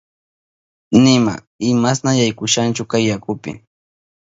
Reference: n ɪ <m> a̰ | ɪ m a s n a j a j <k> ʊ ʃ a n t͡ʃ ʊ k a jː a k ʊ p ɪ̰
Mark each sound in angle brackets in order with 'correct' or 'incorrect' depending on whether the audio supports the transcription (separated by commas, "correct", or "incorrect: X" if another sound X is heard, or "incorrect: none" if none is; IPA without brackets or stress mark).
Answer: correct, correct